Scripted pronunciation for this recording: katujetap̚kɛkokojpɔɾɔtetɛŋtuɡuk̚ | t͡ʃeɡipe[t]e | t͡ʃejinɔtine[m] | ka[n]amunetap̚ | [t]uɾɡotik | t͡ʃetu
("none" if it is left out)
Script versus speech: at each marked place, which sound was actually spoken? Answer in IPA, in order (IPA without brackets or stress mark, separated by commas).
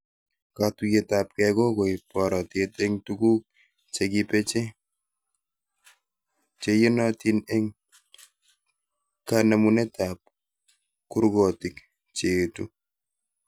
t͡ʃ, ŋ, n, k